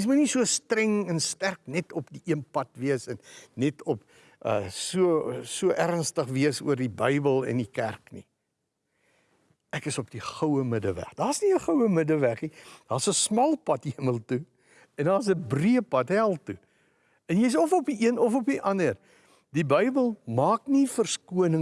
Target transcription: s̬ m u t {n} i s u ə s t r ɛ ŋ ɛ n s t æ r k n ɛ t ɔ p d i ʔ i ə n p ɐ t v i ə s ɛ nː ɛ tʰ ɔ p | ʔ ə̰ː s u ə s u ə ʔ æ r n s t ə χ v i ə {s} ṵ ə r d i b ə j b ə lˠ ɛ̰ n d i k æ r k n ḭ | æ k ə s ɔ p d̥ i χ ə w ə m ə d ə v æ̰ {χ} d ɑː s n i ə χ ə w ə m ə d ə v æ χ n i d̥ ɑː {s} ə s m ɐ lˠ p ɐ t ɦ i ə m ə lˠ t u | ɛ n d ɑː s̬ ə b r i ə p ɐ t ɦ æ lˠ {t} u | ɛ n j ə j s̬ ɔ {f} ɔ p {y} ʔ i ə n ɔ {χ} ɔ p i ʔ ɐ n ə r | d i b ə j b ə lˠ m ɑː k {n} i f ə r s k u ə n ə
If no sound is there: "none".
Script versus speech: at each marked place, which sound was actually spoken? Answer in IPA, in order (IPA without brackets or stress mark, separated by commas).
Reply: n, s, χ, s, t, f, i, f, n